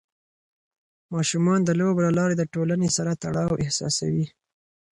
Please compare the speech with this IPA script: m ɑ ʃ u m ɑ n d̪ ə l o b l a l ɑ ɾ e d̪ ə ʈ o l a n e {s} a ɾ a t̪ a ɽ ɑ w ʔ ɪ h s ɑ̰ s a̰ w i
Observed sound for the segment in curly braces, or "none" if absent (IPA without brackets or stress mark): s